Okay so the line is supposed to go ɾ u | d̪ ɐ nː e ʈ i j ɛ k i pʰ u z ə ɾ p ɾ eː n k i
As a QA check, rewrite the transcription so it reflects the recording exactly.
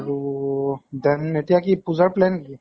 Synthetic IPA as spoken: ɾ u | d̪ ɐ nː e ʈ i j a k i p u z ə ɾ p l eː n k i